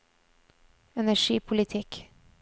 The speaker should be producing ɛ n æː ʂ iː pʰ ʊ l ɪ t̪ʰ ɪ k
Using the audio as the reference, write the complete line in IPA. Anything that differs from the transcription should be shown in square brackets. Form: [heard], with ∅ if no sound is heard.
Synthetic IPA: ɛ n [æ] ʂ iː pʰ ʊ l ɪ t̪ʰ ɪ k